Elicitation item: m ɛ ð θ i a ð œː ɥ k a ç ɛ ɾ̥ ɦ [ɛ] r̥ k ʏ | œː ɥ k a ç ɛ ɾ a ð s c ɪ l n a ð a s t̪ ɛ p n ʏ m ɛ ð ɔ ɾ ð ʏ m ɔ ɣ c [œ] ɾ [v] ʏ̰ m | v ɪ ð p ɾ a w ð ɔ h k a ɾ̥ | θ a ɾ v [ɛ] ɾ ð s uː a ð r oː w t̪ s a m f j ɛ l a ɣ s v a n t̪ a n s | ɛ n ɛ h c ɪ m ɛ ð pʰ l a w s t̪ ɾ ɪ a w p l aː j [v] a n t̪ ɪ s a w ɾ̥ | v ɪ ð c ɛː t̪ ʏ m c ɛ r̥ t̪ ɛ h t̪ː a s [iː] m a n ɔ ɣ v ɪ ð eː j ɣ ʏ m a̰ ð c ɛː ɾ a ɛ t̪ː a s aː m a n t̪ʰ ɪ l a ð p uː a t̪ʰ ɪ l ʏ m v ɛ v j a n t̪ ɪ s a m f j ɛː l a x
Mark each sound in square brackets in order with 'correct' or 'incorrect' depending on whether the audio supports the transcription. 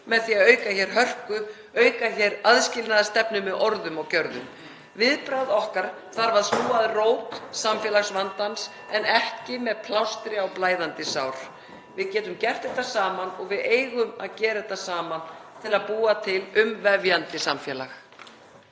incorrect: œ, correct, incorrect: ð, incorrect: a, incorrect: ð, incorrect: aː

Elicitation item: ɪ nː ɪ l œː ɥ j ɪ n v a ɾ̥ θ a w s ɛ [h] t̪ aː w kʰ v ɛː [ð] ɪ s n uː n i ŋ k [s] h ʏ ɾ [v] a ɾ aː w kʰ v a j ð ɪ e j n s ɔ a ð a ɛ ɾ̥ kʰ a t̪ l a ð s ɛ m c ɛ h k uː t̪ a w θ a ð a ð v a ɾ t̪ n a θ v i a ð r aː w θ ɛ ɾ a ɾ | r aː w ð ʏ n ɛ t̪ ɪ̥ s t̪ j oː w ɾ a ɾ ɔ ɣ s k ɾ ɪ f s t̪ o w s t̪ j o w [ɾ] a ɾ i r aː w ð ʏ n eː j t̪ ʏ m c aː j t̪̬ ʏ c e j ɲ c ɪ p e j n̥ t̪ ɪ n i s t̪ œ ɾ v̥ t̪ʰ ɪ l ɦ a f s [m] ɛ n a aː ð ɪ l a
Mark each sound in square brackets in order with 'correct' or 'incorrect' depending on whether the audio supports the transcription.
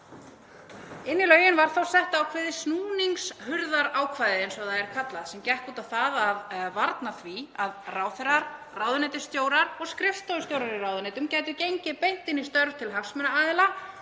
correct, correct, correct, incorrect: ð, correct, correct

